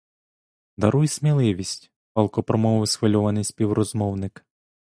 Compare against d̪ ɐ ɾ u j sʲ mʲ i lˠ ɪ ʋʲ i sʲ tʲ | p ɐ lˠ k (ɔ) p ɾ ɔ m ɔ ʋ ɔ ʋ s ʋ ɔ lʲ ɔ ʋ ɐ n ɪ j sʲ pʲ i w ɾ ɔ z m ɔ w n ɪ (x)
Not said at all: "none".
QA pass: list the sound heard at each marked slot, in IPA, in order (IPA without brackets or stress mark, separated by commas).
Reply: ɔ, k